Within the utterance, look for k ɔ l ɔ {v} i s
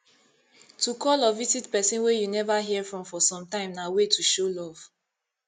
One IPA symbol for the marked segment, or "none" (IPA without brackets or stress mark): v